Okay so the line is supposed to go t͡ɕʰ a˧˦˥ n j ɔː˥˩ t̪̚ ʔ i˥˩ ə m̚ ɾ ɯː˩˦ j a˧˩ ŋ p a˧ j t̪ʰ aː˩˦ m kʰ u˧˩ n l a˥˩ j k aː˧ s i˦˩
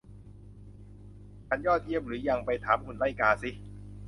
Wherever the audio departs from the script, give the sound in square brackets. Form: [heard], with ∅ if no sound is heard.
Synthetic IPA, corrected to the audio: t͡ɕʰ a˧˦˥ n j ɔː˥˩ t̪̚ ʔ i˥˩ ə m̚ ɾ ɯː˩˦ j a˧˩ ŋ p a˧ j t̪ʰ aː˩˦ m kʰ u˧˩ n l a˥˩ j k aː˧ s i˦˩